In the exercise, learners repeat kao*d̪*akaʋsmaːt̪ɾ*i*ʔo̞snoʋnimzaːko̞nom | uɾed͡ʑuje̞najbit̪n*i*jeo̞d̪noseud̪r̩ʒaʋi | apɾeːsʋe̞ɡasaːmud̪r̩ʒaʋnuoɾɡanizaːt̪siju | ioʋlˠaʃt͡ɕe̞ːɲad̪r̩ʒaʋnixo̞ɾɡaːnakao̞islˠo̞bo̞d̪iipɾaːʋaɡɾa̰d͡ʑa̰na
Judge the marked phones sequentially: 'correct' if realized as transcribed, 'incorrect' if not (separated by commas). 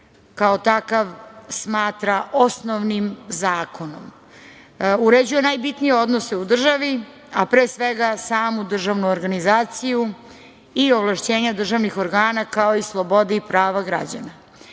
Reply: incorrect, incorrect, correct